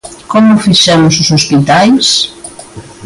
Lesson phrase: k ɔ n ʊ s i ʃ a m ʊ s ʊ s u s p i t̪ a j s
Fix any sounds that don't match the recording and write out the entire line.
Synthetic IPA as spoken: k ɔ m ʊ f i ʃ ɛ m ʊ s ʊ s o s p i t̪ a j s